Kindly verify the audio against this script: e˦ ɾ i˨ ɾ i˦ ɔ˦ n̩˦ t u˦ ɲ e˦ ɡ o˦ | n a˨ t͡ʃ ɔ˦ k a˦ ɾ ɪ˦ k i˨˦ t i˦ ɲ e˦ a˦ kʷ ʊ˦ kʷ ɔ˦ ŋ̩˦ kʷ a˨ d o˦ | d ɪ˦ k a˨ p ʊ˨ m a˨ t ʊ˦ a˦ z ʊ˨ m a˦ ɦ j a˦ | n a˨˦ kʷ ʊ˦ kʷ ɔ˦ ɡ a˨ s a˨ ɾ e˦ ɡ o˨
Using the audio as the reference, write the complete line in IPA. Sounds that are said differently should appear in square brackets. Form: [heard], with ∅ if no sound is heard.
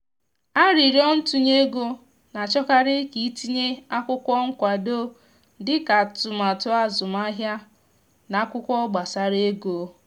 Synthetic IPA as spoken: [a˦] ɾ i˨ ɾ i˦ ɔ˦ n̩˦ t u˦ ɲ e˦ ɡ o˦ | n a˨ t͡ʃ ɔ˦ k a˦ ɾ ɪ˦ k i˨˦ t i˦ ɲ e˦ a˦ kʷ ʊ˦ kʷ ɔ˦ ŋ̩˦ kʷ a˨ d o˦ | d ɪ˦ k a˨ [t] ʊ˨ m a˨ t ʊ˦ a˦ z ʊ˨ m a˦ ɦ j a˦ | n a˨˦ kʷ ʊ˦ kʷ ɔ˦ [ɡ͡b] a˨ s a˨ ɾ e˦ ɡ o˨